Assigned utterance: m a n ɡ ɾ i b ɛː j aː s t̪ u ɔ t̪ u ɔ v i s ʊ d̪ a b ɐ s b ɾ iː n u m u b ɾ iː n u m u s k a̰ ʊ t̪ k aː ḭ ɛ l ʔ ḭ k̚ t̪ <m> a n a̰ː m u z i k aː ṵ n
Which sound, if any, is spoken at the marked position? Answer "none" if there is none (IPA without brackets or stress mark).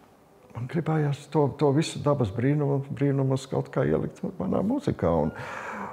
m